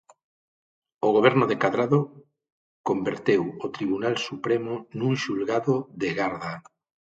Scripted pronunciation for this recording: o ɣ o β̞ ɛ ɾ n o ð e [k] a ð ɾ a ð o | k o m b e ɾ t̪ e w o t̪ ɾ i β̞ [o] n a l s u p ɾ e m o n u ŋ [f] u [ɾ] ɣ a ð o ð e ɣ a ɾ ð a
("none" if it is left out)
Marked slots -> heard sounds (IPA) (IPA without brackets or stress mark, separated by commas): k, u, ʃ, l